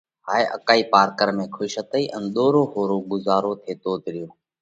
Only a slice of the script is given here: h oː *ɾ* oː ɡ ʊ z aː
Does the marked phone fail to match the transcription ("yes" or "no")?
no